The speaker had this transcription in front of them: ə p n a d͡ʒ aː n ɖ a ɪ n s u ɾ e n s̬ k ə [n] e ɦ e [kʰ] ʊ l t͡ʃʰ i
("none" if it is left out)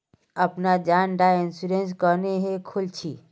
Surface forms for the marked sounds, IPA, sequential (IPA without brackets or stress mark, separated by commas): n, kʰ